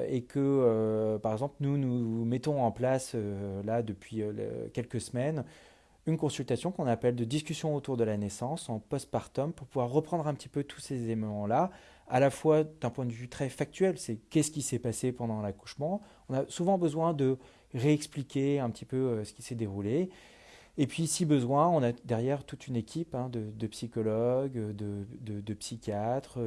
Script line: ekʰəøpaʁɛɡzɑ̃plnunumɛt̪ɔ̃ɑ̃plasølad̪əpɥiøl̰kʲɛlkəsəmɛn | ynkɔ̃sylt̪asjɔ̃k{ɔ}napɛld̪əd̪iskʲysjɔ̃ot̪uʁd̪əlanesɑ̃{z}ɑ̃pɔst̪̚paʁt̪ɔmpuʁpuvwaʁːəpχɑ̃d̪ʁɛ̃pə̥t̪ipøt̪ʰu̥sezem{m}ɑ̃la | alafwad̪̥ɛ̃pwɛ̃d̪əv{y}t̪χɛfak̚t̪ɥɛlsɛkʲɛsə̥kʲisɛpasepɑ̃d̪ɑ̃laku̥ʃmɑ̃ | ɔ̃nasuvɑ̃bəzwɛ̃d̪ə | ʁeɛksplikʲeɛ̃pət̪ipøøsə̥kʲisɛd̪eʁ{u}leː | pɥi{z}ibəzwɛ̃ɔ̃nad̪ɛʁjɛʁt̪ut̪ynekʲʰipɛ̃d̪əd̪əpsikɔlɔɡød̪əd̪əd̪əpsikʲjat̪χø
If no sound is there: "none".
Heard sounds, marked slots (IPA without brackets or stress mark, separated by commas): ɔ̃, s, m, y, u, s